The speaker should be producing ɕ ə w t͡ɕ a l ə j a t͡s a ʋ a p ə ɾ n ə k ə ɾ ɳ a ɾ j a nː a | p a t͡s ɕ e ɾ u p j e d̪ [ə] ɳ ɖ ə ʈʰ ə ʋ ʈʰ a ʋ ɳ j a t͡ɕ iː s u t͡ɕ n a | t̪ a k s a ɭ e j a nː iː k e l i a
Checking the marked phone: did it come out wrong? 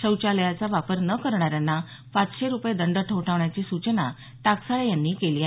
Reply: no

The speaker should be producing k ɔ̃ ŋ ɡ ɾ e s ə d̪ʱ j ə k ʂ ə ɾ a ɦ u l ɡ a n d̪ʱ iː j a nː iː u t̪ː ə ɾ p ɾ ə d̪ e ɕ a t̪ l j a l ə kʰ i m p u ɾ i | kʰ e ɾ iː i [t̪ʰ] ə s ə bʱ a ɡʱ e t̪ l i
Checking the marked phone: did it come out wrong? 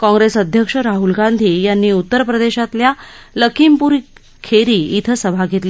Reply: no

